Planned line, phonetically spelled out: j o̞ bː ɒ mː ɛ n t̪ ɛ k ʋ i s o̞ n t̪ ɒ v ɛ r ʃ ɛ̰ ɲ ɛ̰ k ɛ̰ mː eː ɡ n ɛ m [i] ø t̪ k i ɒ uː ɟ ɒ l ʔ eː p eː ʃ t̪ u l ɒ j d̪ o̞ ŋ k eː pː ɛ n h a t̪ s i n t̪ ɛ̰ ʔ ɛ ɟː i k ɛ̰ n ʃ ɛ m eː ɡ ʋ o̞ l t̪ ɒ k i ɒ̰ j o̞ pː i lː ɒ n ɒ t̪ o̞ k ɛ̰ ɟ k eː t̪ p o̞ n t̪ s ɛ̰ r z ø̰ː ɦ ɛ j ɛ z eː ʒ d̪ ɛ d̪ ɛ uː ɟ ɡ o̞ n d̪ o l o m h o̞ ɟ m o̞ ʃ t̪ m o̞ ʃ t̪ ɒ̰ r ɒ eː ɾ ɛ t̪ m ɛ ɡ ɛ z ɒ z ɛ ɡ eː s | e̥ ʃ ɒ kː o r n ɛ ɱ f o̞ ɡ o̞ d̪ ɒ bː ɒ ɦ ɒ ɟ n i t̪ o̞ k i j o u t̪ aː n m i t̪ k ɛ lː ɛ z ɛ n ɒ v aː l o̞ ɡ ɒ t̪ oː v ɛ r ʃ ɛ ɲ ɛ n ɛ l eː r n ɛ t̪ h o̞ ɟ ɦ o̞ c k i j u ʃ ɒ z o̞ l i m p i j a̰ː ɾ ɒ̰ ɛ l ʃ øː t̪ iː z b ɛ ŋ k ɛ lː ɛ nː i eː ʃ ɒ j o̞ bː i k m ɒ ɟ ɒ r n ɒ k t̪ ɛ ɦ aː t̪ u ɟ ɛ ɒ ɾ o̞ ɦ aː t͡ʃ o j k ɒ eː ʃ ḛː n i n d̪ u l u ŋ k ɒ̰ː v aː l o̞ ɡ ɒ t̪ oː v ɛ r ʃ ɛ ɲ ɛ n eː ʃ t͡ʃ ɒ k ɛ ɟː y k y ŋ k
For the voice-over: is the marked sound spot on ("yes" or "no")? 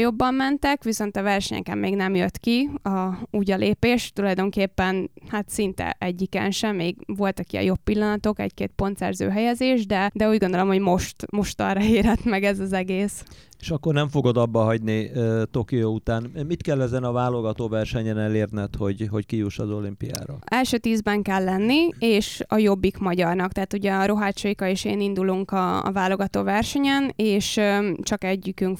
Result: no